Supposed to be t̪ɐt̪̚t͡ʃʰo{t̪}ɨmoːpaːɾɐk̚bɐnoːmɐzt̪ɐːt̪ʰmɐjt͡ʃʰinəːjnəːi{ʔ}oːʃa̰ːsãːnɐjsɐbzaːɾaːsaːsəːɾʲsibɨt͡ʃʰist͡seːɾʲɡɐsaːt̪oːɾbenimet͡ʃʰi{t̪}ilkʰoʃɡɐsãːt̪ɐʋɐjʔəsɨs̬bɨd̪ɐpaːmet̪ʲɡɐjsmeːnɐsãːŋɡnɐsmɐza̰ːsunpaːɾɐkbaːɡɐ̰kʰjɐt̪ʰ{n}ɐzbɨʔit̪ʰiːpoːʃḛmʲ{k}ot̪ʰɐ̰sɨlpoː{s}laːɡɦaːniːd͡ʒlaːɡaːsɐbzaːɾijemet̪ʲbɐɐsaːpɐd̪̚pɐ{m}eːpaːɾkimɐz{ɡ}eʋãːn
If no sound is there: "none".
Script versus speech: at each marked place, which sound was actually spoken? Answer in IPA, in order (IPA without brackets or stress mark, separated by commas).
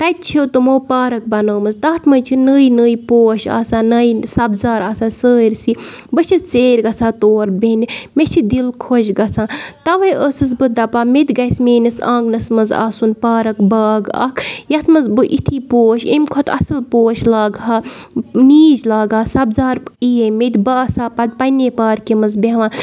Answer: t̪, p, d̪, m, kʰ, ʃ, n, b